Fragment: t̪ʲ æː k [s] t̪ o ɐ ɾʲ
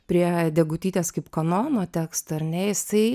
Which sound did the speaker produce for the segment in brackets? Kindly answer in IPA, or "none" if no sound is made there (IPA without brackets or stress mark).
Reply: s